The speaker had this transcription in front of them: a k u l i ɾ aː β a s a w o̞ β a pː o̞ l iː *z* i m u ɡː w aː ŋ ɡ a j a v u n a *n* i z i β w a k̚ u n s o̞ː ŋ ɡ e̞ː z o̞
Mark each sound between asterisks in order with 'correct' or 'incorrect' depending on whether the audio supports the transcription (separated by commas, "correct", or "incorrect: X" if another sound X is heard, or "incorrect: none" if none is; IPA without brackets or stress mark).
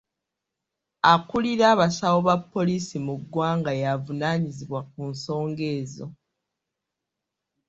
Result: incorrect: s, incorrect: ɲ